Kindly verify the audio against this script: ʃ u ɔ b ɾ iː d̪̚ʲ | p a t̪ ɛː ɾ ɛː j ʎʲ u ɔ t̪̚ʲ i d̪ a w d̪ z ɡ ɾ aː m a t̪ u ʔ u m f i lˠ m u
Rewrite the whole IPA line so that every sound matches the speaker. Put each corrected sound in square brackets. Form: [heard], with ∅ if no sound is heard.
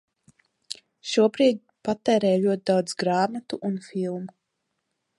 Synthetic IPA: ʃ u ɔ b ɾ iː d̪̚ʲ | p a t̪ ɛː ɾ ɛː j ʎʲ u ɔ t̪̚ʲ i d̪ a w d̪ z ɡ ɾ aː m a t̪ u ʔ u [n] f i lˠ m u